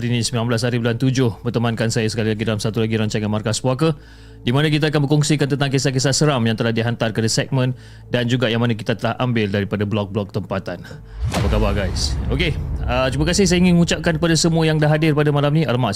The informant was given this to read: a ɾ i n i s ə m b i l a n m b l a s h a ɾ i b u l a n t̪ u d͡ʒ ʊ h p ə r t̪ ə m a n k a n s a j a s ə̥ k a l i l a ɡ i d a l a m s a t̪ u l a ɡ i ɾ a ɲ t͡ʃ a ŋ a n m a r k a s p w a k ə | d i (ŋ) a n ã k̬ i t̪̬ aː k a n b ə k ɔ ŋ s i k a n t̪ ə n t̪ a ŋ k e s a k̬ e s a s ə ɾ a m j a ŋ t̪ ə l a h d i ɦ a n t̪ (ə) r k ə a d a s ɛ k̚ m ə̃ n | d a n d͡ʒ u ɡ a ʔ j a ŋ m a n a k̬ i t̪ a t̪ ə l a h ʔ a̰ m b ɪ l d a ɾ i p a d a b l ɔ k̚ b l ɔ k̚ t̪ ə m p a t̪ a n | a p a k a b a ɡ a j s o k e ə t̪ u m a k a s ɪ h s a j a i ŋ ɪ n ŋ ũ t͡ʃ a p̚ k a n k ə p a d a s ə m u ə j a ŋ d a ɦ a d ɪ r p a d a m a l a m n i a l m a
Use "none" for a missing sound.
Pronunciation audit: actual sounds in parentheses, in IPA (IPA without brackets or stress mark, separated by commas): m, a